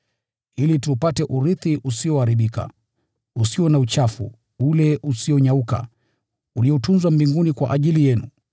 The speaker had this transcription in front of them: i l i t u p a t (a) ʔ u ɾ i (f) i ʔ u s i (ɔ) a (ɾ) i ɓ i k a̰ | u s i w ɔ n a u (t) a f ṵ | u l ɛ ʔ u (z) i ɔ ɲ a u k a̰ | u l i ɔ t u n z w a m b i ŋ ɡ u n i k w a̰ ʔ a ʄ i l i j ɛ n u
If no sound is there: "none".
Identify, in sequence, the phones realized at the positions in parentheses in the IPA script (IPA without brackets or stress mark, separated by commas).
ɛ, θ, ɔ, ɾ, t͡ʃ, s